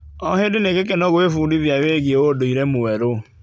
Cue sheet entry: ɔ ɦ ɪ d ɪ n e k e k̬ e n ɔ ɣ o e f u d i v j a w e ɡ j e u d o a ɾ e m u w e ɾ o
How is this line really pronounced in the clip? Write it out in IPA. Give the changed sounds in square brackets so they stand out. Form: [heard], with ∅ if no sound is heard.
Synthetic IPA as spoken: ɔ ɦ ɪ d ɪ n e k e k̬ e n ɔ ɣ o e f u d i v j a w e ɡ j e [o] d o [i] ɾ e m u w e ɾ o